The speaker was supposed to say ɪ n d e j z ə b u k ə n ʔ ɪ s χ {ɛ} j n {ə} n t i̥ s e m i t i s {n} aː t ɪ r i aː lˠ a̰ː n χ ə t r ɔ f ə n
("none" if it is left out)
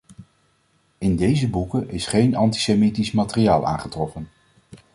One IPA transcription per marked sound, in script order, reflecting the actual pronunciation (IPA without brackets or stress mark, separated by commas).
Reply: e, ɑ, m